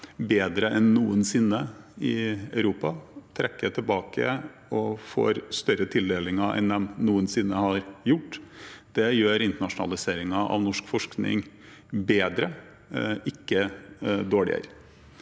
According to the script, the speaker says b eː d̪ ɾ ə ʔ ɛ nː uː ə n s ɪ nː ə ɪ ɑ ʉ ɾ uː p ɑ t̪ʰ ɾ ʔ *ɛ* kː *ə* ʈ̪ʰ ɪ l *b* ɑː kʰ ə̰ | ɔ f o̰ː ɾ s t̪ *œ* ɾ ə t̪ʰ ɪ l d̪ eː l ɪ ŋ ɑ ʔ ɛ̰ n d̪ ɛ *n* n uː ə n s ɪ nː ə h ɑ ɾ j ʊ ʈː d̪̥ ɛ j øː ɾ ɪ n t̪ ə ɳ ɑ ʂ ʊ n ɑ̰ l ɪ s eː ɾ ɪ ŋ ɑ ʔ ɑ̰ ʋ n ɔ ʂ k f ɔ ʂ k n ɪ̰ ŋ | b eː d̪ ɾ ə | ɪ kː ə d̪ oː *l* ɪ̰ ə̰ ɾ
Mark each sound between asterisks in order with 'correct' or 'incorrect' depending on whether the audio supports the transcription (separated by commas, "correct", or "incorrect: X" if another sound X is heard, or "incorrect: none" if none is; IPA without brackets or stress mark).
correct, correct, correct, correct, incorrect: m, incorrect: ɭ